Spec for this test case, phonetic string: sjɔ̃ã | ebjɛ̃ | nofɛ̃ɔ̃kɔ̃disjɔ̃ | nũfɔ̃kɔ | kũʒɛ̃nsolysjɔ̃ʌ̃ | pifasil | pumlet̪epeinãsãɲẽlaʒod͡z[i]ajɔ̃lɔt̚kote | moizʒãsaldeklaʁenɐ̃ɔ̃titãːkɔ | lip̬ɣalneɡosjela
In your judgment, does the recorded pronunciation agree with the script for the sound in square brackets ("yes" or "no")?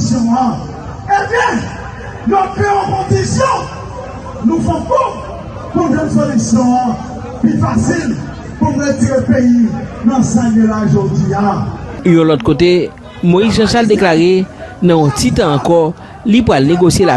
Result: yes